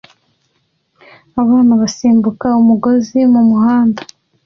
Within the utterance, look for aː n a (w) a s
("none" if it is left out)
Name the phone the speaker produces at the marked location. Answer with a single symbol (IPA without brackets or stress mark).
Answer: β